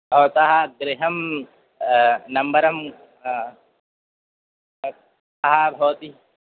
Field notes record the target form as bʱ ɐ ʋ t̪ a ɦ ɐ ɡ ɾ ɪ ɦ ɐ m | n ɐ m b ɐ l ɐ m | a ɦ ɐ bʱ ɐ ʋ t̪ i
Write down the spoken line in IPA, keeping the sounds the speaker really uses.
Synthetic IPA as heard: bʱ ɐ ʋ t̪ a ɦ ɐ ɡ ɾ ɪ ɦ ɐ m | n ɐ m b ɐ ɾ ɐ m | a ɦ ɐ bʱ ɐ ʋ t̪ i